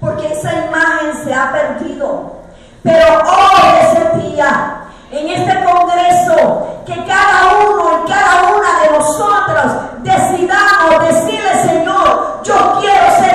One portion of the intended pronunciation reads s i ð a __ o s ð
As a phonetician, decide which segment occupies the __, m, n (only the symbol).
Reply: m